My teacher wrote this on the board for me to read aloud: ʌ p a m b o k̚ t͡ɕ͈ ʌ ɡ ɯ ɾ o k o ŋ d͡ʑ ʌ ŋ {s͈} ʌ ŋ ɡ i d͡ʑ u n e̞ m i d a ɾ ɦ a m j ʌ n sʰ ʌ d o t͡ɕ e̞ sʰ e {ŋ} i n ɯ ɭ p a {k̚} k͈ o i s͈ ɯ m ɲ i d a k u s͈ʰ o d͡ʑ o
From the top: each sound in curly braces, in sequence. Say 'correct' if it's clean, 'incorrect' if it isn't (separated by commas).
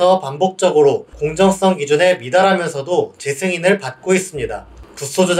correct, correct, incorrect